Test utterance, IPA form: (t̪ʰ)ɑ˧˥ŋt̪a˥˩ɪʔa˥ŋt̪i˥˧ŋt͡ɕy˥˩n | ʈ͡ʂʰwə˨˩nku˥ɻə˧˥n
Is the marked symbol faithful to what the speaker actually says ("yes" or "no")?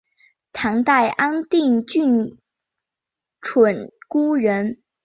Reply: yes